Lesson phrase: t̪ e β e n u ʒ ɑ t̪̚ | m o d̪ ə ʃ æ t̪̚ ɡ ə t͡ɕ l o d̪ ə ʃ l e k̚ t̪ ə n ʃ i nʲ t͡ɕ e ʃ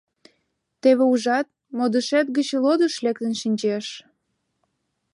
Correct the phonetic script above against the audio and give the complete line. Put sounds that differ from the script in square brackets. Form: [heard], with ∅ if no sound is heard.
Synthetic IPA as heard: t̪ e β e [∅] u ʒ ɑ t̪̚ | m o d̪ ə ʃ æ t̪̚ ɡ ə t͡ɕ l o d̪ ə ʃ l e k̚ t̪ ə n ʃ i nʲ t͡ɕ e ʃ